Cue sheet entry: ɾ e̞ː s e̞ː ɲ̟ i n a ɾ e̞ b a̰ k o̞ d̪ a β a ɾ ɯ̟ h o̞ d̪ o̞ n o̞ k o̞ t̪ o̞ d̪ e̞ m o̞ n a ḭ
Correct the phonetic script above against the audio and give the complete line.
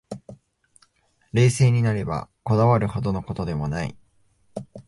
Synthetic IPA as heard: ɾ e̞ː s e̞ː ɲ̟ i n a ɾ e̞ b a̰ k o̞ d̪ a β a ɾ ɯ̟ h o̞ d̪ o̞ n o̞ k o̞ t̪ o̞ d̪ e̞ m o̞ n a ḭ